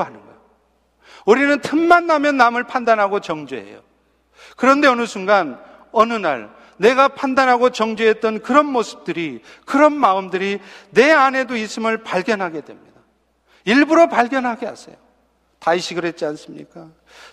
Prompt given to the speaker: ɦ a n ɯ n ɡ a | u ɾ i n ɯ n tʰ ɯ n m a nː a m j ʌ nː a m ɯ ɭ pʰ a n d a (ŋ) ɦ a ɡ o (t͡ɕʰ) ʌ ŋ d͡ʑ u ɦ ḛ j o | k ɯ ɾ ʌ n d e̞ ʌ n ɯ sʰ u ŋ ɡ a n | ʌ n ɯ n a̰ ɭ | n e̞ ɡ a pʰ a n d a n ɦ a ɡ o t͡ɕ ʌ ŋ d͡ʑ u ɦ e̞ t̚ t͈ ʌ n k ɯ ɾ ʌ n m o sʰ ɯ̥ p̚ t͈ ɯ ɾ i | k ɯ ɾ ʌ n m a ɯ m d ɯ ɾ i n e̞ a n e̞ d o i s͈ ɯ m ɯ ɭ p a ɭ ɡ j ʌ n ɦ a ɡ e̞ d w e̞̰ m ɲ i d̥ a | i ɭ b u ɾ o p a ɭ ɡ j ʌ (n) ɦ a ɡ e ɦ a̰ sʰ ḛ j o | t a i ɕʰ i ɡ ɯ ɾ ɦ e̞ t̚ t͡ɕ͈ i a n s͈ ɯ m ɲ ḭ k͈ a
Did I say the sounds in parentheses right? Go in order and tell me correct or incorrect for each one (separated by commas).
incorrect, incorrect, correct